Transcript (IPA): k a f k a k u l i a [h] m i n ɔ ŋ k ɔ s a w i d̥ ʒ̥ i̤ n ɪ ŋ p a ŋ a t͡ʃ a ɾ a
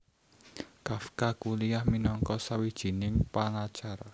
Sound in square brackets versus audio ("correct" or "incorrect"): correct